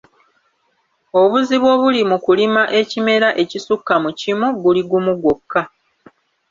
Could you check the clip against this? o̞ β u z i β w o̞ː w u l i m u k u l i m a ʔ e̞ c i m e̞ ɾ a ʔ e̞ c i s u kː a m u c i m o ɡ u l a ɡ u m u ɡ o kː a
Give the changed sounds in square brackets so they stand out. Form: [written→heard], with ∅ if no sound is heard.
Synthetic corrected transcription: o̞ β u z i β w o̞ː [w→β] u l i m u k u l i m a ʔ e̞ c i m e̞ ɾ a ʔ e̞ c i s u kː a m u c i m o ɡ u l [a→i] ɡ u m u ɡ o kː a